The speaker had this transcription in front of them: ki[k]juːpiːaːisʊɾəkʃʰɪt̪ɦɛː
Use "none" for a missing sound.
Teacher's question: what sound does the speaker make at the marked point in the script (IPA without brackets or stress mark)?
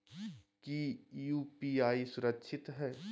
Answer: none